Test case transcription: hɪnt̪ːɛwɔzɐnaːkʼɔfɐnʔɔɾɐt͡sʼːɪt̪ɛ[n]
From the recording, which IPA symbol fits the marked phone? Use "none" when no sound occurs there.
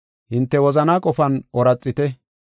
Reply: none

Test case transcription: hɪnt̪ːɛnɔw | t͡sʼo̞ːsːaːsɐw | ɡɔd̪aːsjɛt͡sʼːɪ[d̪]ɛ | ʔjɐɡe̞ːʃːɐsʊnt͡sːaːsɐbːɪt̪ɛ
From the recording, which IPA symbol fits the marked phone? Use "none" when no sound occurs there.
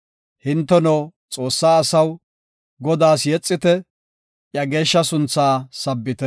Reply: t̪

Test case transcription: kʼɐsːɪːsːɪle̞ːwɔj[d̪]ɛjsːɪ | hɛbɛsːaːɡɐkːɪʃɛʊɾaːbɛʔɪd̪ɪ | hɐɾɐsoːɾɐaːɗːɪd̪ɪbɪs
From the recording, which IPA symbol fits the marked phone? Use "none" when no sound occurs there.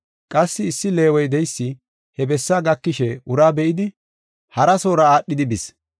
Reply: d̪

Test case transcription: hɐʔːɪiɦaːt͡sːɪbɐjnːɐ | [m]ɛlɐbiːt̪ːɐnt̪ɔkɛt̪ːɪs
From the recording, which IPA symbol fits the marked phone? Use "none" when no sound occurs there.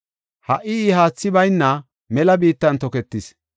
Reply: m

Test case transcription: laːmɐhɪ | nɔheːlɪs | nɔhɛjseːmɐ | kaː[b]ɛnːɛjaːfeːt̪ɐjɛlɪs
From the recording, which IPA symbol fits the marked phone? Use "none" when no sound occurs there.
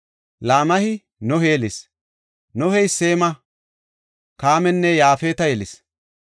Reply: m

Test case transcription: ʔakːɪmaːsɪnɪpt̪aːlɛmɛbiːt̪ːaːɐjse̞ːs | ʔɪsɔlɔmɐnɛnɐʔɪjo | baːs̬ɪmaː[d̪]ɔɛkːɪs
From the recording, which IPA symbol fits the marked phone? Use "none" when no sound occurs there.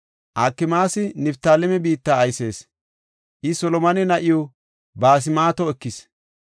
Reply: t̪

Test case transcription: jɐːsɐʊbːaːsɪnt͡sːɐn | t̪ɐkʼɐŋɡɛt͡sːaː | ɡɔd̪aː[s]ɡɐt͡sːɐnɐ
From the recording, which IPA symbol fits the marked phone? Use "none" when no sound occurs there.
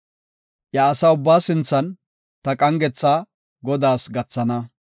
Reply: s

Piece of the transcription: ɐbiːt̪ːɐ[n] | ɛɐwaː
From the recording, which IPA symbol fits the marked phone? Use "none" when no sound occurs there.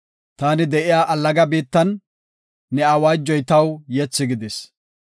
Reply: nː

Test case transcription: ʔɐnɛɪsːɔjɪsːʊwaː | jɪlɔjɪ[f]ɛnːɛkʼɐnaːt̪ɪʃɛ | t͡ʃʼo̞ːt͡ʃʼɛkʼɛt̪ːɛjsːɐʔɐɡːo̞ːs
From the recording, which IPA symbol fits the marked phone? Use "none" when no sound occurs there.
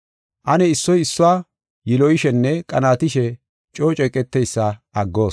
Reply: ʃ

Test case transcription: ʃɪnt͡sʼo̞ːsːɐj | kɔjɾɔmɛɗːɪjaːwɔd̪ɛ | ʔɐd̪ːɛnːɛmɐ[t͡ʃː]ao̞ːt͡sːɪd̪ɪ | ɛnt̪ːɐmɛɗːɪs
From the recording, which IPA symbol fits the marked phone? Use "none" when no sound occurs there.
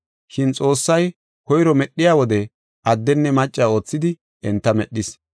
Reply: t͡ʃʼː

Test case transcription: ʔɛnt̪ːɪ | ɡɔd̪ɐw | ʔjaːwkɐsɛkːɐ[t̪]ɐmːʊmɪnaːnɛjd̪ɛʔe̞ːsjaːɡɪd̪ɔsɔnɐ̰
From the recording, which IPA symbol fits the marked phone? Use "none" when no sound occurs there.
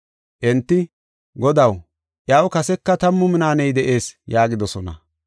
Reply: t̪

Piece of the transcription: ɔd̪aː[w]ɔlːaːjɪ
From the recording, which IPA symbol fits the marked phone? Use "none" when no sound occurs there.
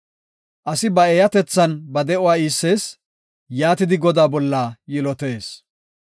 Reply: b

